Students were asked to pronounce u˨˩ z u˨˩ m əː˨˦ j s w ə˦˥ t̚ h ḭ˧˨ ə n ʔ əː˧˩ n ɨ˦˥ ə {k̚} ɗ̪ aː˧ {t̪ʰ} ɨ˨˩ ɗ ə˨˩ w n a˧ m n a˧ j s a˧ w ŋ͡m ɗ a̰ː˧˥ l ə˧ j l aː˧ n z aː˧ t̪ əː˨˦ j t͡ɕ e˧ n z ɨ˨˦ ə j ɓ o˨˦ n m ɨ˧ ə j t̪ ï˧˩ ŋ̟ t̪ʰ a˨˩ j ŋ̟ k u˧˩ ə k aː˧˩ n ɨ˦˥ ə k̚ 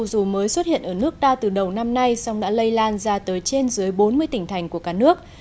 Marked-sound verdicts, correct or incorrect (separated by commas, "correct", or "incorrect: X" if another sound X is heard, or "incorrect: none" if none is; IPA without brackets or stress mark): correct, incorrect: t̪